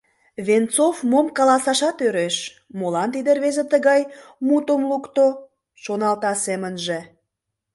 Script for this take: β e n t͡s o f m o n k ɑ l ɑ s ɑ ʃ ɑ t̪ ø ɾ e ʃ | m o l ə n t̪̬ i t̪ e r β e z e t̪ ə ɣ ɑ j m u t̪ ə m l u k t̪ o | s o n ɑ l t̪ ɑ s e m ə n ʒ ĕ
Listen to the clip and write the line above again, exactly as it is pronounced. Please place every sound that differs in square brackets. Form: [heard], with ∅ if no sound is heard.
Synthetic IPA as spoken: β e n t͡s o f m o [m] k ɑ l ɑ s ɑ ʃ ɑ t̪ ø ɾ e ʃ | m o l [ɑ] n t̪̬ i [d̪] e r β e z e t̪ ə ɣ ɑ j m u t̪ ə m l u k t̪ o | [ʃ] o n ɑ l t̪ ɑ s e m ə n ʒ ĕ